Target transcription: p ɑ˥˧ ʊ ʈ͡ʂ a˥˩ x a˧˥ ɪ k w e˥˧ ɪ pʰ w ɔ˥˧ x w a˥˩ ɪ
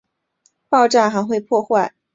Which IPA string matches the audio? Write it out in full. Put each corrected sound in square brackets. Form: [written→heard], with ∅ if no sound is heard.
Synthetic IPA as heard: p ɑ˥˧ ʊ ʈ͡ʂ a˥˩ x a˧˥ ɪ [k→x] w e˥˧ ɪ pʰ w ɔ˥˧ x w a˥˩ ɪ